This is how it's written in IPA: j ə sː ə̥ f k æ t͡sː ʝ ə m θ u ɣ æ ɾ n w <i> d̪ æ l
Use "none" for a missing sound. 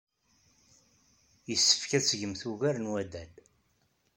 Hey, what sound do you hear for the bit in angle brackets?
æ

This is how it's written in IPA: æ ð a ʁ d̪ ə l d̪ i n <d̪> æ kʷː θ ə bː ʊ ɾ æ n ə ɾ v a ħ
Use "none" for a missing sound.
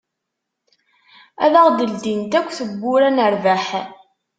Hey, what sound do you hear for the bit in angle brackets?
t̪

